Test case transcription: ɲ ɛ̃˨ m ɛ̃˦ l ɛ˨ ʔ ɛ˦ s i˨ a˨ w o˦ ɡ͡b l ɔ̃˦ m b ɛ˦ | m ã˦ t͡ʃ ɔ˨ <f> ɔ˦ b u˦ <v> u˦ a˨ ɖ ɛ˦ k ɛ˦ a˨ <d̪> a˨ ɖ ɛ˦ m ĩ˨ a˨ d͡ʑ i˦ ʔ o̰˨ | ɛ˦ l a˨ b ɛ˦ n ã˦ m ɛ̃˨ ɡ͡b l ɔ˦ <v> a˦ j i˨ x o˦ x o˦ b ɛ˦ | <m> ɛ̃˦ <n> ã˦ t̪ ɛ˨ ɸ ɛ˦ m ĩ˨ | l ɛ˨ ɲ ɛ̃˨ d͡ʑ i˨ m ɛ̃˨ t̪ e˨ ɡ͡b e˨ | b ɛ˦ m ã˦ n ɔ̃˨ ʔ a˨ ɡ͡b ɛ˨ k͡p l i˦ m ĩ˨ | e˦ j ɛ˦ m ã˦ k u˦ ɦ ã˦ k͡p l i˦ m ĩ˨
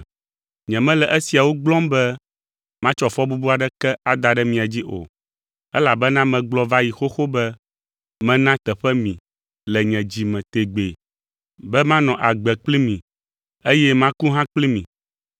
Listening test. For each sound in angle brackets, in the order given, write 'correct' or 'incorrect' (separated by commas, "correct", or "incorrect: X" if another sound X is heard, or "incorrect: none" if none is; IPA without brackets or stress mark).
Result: correct, incorrect: b, correct, correct, correct, correct